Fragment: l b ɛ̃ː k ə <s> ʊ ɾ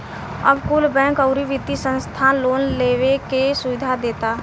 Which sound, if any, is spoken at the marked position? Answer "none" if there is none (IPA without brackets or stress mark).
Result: none